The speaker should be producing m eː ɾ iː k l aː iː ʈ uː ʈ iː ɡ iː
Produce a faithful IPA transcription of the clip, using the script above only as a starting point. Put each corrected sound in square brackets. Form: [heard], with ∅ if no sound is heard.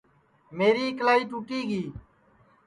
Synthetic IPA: m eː ɾ iː k l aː iː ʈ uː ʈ iː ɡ iː